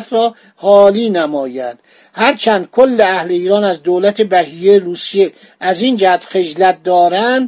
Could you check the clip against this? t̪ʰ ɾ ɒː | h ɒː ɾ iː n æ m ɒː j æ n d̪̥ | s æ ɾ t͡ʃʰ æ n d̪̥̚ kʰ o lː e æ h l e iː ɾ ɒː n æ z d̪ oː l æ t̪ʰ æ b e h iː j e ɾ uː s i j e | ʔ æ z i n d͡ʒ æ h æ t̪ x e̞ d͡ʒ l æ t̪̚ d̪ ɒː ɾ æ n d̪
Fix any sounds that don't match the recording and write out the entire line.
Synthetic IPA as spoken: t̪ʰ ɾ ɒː | h ɒː l iː n æ m ɒː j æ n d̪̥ | h æ ɾ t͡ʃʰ æ n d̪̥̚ kʰ o lː e æ h l e iː ɾ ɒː n æ z d̪ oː l æ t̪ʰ e b æ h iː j e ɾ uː s i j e | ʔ æ z i n d͡ʒ æ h æ t̪ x e̞ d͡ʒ l æ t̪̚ d̪ ɒː ɾ æ n d̪